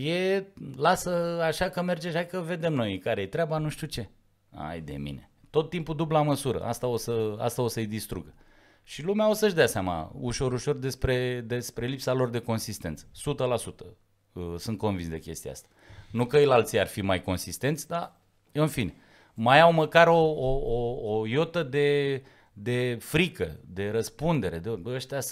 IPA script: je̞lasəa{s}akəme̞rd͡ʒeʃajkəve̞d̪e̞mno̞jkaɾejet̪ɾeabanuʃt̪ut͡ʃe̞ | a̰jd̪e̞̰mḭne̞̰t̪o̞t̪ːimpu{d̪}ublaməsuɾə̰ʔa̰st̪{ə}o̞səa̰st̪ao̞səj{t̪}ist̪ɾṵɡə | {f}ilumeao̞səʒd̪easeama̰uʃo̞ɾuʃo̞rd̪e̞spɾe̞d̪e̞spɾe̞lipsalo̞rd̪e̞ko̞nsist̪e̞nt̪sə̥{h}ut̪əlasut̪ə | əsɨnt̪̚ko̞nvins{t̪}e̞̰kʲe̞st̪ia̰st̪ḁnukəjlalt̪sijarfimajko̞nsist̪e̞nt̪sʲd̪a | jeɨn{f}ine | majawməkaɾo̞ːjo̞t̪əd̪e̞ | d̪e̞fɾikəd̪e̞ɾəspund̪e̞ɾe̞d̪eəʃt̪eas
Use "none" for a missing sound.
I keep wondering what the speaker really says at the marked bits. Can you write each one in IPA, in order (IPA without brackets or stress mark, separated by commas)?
ʃ, d̪, a, d̪, ʃ, s, d̪, f